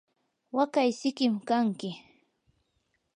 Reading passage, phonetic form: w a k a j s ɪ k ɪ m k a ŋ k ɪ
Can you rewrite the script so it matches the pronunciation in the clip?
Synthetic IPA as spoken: w a k a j s ɪ k ɪ m k a ŋ k ɪ